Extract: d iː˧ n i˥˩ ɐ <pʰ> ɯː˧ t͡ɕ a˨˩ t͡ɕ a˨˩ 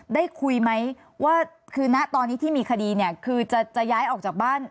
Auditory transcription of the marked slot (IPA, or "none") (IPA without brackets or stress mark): kʰ